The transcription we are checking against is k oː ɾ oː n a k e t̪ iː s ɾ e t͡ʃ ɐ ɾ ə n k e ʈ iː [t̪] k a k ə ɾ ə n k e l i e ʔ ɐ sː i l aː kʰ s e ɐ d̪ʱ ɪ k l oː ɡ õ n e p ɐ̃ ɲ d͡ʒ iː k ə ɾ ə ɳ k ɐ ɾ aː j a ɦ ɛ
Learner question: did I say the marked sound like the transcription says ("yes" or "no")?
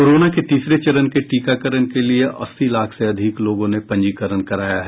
no